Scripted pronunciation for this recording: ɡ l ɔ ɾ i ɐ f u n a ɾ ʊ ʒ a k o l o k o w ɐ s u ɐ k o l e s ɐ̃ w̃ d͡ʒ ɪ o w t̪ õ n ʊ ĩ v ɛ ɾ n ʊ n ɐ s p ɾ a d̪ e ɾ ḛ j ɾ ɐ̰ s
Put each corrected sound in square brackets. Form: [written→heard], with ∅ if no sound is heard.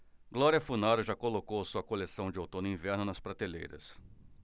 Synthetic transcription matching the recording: ɡ l ɔ ɾ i ɐ f u n a ɾ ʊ ʒ a k o l o k o w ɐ s u ɐ k o l e s ɐ̃ w̃ d͡ʒ ɪ o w t̪ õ n ʊ ĩ v ɛ ɾ n ʊ n ɐ s p ɾ a [d̪→t̪] e [ɾ→l] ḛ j ɾ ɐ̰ s